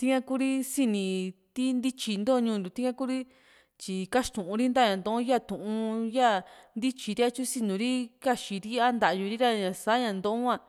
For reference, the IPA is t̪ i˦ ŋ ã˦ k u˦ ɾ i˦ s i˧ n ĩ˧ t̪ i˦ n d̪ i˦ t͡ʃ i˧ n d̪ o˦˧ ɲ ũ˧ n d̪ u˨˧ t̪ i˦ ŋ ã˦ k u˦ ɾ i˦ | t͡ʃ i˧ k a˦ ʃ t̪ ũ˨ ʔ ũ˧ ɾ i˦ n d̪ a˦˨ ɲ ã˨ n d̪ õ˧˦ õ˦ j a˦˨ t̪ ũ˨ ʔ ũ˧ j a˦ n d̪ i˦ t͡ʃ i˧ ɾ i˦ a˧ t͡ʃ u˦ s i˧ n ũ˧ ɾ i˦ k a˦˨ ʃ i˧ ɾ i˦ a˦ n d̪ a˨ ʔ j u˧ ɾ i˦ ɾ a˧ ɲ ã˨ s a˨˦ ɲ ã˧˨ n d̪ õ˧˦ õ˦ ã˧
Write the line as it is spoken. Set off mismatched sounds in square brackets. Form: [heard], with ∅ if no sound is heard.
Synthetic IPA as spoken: t̪ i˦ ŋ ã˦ k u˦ ɾ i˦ s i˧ n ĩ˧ t̪ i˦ n d̪ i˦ t͡ʃ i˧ n d̪ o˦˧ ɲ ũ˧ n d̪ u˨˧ t̪ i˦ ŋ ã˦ k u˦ ɾ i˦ | t͡ʃ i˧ k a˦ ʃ t̪ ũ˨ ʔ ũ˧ ɾ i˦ n d̪ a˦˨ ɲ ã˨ n d̪ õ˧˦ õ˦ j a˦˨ t̪ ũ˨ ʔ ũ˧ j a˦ n d̪ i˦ t͡ʃ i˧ ɾ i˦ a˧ t͡ʃ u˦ s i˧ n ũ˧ ɾ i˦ k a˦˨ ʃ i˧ ɾ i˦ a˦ n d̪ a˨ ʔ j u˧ ɾ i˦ ɾ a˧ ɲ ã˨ s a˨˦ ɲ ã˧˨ n d̪ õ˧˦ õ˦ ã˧